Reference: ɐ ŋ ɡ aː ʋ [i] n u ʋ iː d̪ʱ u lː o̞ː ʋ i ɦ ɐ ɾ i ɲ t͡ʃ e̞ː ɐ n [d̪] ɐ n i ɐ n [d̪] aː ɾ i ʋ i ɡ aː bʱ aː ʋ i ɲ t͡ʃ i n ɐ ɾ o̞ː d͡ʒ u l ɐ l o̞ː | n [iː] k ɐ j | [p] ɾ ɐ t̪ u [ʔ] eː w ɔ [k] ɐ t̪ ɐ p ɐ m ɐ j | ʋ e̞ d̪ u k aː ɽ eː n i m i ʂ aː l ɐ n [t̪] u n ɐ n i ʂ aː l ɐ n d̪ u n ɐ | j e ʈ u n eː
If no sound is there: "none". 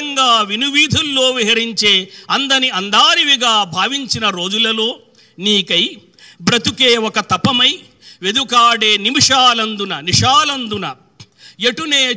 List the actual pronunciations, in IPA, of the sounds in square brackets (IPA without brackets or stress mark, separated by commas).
i, d̪, d̪, iː, b, k, k, d̪